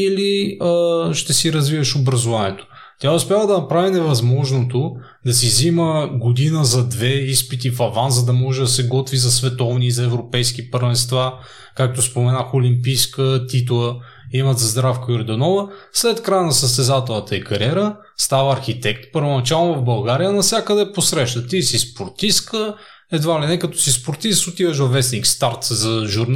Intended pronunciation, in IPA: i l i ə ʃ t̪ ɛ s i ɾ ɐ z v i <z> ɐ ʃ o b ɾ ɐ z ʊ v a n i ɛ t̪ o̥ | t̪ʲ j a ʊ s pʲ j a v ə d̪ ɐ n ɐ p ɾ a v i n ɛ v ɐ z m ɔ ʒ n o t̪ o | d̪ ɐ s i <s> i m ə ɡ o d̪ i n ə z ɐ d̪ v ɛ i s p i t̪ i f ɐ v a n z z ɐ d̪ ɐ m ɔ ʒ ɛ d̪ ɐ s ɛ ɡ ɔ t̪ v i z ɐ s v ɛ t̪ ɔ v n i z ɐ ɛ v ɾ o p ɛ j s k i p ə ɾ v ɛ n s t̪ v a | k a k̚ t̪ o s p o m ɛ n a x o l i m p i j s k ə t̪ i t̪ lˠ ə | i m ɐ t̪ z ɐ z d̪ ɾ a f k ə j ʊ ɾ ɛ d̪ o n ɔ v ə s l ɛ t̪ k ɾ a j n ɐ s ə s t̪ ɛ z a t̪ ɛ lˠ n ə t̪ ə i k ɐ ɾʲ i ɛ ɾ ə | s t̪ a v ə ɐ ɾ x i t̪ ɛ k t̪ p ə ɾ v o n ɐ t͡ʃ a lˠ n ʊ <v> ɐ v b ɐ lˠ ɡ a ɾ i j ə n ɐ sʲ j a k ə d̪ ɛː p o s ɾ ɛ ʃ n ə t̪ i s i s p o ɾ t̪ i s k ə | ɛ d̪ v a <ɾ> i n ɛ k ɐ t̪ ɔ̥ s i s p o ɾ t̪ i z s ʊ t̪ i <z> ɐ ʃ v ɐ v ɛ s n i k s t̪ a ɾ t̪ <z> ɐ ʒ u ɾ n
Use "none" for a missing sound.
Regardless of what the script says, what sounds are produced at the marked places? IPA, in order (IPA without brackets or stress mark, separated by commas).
v, z, v, l, v, z